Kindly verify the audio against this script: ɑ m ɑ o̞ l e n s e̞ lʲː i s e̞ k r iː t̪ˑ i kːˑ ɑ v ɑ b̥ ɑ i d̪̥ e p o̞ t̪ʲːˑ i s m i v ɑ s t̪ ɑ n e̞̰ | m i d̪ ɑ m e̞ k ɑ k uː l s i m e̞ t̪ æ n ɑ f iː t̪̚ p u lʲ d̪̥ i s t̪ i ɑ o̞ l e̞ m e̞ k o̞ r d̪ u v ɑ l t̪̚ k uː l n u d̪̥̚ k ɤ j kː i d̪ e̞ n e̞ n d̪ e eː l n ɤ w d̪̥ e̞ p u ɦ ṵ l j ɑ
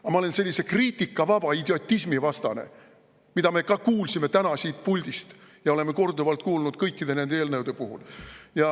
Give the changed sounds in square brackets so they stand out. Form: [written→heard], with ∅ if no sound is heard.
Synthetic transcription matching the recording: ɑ m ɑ o̞ l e n s e̞ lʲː i s e̞ k r iː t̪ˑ i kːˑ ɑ v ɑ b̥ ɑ i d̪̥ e [p→∅] o̞ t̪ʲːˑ i s m i v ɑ s t̪ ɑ n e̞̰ | m i d̪ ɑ m e̞ k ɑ k uː l s i m e̞ t̪ æ n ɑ [f→s] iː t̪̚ p u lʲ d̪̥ i s t̪ [i→j] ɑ o̞ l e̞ m e̞ k o̞ r d̪ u v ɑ l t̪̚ k uː l n u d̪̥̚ k ɤ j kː i d̪ e̞ n e̞ n d̪ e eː l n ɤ w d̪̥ e̞ p u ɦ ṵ l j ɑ